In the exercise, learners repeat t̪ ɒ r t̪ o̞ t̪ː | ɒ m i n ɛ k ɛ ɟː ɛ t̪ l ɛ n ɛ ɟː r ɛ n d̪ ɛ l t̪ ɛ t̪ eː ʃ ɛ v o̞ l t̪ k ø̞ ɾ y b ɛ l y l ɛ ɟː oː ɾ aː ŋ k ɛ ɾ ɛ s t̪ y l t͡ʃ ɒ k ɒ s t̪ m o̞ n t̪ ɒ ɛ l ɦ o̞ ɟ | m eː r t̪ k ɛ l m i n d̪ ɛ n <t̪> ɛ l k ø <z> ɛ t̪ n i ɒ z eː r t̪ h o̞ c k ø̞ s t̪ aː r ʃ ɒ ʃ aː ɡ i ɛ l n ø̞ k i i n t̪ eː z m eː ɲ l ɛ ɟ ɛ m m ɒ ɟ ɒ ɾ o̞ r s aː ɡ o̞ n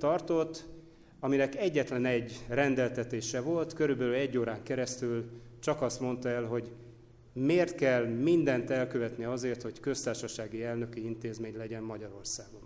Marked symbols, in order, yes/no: yes, no

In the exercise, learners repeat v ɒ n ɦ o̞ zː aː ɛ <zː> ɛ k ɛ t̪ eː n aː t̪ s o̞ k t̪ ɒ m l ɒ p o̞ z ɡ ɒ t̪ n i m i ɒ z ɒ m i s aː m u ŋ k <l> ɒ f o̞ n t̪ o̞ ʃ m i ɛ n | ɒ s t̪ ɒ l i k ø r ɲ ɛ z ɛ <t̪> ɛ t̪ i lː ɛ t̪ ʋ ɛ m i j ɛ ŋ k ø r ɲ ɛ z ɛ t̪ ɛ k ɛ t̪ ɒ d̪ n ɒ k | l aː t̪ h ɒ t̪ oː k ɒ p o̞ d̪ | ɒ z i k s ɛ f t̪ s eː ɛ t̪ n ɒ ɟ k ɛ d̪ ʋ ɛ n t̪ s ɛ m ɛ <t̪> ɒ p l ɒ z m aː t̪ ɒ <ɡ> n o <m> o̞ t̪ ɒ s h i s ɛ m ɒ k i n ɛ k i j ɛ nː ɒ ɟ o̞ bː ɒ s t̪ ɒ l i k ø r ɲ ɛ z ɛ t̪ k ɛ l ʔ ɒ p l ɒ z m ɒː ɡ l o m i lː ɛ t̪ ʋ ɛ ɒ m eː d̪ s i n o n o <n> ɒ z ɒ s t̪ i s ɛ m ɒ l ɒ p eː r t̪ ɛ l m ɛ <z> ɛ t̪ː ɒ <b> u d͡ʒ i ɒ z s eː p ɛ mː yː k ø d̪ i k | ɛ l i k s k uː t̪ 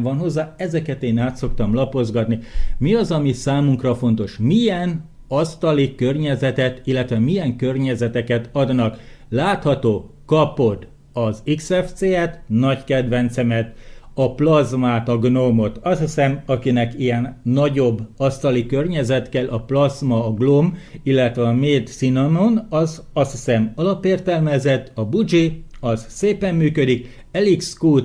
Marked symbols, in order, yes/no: no, no, yes, yes, yes, yes, yes, yes, yes

